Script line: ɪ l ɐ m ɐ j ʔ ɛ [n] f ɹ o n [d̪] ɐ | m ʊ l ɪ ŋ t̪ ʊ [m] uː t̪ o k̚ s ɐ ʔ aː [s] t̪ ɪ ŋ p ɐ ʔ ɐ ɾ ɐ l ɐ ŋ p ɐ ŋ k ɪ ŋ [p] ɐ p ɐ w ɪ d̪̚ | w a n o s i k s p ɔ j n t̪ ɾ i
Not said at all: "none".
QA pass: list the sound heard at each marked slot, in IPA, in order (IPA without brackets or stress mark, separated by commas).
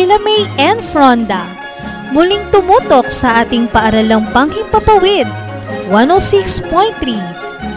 n, d̪, m, none, p